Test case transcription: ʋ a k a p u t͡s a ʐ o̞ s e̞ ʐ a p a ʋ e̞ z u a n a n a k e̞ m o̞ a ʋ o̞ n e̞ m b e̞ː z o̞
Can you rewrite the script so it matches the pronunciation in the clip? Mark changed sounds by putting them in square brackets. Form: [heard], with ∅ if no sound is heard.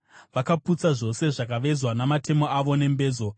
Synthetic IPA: ʋ a k a p u t͡s a ʐ o̞ s e̞ ʐ a [k] a ʋ e̞ z [w] a n a [m] a [t] e̞ m o̞ a ʋ o̞ n e̞ m b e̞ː z o̞